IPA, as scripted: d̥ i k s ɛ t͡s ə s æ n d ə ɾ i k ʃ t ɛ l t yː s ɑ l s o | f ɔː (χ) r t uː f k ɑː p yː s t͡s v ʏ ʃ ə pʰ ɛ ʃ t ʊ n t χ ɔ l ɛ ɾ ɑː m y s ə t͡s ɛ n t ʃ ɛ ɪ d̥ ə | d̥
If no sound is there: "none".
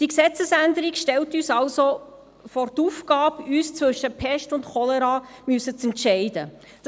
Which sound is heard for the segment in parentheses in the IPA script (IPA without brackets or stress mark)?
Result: none